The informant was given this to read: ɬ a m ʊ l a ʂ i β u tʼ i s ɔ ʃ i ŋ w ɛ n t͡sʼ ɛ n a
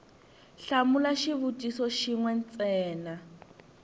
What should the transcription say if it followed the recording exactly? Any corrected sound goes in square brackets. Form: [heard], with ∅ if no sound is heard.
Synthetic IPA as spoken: ɬ a m [u] l a [ʃ] i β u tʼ i s ɔ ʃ i ŋ w ɛ n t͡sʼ [ɛː] n a